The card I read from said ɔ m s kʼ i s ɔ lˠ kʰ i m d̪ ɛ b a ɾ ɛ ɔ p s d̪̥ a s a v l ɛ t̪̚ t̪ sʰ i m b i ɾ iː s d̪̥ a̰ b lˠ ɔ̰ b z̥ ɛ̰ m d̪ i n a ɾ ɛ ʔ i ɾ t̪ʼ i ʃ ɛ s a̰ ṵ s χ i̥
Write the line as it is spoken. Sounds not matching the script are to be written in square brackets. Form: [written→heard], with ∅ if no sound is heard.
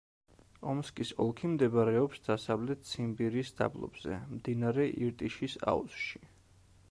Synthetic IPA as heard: ɔ m s kʼ i s ɔ lˠ kʰ i m d̪ ɛ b a ɾ ɛ ɔ p s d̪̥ a s a v l ɛ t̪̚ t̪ sʰ i m b i ɾ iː s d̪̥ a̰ b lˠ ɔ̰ b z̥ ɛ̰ m d̪ i n a ɾ ɛ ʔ i ɾ t̪ʼ i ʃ [ɛ→i] s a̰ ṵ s [χ→ʃ] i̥